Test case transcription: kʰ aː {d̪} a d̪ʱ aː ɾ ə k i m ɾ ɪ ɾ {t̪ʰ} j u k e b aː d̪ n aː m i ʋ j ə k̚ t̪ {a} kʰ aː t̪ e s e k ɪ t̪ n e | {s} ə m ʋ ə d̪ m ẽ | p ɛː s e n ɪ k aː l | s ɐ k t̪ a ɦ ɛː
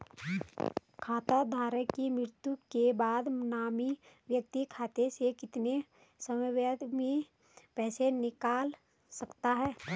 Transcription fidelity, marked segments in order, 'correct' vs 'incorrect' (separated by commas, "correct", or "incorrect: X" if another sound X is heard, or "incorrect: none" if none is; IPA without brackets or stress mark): incorrect: t̪, incorrect: t̪, incorrect: i, correct